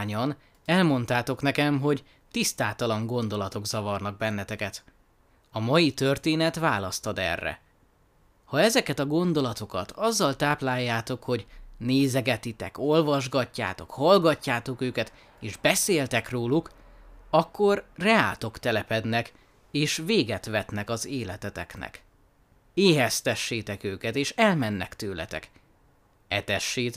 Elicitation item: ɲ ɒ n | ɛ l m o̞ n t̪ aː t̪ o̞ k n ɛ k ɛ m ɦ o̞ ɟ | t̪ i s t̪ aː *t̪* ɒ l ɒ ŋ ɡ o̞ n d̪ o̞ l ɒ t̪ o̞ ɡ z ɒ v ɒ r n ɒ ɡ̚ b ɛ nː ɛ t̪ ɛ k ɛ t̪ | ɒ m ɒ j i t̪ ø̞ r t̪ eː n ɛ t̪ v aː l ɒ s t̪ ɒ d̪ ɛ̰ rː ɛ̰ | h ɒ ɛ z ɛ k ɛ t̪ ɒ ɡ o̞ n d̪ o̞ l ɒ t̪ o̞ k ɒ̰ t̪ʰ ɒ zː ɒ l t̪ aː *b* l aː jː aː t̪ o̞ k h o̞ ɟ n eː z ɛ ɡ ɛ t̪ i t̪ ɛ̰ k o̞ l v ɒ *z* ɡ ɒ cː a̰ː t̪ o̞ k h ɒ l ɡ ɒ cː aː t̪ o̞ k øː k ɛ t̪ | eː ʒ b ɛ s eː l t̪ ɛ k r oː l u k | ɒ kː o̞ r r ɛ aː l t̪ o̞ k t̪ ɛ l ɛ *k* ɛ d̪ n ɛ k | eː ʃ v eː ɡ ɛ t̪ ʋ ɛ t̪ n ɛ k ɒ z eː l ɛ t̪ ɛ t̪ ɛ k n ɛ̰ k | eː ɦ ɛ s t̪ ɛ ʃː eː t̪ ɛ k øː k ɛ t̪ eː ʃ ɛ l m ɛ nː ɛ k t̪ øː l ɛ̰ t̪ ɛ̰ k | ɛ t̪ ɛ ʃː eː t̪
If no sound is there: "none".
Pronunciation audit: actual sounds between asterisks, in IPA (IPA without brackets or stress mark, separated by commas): t̪, p, ʒ, p